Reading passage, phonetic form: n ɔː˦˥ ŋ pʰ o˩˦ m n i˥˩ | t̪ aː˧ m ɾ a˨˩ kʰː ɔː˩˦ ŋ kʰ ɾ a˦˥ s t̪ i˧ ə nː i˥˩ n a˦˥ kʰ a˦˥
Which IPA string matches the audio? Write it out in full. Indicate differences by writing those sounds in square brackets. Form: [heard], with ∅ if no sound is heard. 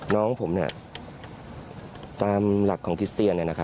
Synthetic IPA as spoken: n ɔː˦˥ ŋ pʰ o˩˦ m n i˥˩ | t̪ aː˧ m [l] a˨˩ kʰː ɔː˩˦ ŋ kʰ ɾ [i˦˥] s t̪ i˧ ə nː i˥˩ n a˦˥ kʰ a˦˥